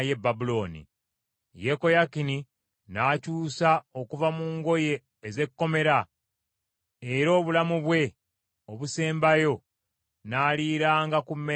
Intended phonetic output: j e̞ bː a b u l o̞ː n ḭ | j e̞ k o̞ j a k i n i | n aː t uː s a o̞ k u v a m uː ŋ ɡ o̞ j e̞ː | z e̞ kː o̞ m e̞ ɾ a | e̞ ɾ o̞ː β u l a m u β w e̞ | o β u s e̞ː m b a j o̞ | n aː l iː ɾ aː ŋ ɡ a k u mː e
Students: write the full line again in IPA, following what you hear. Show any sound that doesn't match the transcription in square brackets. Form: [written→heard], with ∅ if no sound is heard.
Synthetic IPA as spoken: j e̞ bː a b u l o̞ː n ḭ | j e̞ k o̞ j a k i n i | n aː [t→c] uː s a o̞ k u v a m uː ŋ ɡ o̞ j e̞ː | z e̞ kː o̞ m e̞ ɾ a | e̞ ɾ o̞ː β u l a m u β w e̞ | o β u s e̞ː m b a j o̞ | n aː l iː ɾ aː ŋ ɡ a k u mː e